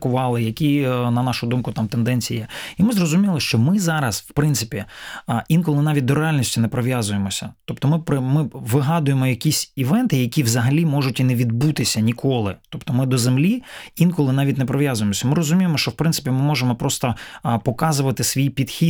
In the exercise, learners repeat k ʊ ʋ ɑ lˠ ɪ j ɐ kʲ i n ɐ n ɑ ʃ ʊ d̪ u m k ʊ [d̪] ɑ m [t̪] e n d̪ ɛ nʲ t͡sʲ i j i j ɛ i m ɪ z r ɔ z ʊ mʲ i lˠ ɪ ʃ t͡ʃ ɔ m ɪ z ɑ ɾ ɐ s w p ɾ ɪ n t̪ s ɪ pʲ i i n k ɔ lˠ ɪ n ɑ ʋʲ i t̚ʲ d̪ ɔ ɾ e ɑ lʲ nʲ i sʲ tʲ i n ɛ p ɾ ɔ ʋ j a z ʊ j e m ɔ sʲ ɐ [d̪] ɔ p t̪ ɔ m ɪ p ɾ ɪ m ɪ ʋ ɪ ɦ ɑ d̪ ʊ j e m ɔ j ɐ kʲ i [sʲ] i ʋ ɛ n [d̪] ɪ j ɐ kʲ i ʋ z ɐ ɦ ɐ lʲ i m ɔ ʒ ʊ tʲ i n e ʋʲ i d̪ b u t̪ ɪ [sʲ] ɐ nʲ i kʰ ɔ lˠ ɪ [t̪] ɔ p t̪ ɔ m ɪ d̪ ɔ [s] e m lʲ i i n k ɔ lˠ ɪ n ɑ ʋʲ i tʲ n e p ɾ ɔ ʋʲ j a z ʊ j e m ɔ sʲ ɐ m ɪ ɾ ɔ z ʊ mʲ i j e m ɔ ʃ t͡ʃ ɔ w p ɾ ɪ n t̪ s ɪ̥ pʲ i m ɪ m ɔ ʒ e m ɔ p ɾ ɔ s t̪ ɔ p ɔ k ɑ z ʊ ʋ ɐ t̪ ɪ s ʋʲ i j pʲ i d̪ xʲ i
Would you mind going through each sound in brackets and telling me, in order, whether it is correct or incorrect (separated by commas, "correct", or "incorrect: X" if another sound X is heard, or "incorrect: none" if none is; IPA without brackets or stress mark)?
incorrect: t̪, correct, incorrect: t̪, correct, incorrect: t̪, correct, correct, incorrect: z